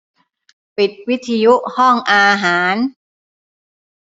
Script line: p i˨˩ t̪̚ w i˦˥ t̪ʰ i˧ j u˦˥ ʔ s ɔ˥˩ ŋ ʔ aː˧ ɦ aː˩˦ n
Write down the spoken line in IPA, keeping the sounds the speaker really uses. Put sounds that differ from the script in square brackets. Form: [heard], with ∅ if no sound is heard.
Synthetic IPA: p i˨˩ t̪̚ w i˦˥ t̪ʰ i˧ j u˦˥ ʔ [h] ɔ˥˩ ŋ ʔ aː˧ ɦ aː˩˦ n